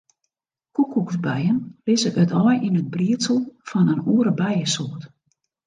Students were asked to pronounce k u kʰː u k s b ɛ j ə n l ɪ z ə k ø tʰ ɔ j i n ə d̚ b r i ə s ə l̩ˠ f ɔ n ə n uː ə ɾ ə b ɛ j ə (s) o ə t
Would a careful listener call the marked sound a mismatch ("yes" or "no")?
no